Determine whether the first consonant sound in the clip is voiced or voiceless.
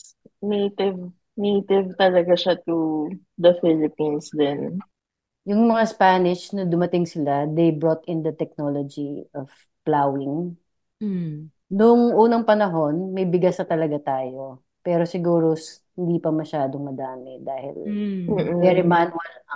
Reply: voiced